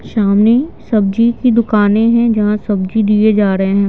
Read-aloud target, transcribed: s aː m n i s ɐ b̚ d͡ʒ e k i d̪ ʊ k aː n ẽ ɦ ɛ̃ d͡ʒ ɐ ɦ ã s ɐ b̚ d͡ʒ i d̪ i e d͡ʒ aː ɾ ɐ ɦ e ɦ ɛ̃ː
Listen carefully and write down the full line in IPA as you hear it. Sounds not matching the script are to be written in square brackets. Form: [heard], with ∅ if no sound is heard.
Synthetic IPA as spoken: [ʃ] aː m n i s ɐ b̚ d͡ʒ [i] k i d̪ ʊ k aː n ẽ ɦ ɛ̃ d͡ʒ ɐ ɦ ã s ɐ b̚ d͡ʒ i d̪ i e d͡ʒ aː ɾ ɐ ɦ e ɦ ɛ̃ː